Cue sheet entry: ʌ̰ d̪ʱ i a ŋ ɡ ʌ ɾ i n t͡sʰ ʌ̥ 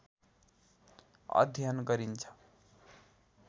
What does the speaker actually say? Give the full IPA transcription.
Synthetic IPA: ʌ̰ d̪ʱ j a n ɡ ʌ ɾ i n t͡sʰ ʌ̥